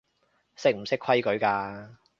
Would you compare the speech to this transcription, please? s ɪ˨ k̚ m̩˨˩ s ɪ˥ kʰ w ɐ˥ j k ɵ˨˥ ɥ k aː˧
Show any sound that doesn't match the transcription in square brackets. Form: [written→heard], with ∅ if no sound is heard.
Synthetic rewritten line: s [ɪ˨→ɪ˥] k̚ m̩˨˩ s ɪ˥ kʰ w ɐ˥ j k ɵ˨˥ ɥ k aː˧